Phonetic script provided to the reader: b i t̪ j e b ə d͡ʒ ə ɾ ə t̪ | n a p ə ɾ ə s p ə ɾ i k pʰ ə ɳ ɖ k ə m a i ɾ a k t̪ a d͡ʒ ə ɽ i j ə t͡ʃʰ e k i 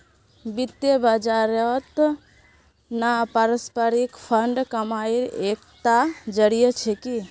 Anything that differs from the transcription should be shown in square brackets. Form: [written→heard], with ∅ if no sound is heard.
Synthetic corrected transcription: b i t̪ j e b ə d͡ʒ [ə→a] ɾ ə t̪ | n a p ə ɾ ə s p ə ɾ i k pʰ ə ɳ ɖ k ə m a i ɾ [a→e] k t̪ a d͡ʒ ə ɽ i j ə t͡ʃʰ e k i